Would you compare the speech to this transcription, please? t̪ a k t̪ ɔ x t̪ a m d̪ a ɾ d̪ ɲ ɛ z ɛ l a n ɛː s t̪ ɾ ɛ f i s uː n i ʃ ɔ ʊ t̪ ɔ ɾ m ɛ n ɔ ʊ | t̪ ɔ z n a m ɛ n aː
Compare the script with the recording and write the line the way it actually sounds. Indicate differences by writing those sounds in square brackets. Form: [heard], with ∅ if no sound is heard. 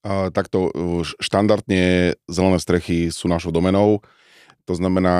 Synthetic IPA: t̪ a k t̪ ɔ [ʃ] t̪ a [n] d̪ a ɾ d̪ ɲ ɛ z ɛ l [ɛ] n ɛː s t̪ ɾ ɛ [x] i s uː n [a] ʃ ɔ ʊ [d̪] ɔ [∅] m ɛ n ɔ ʊ | t̪ ɔ z n a m ɛ n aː